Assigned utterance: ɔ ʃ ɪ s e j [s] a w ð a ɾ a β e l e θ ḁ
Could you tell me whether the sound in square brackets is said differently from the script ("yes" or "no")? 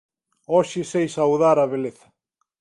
no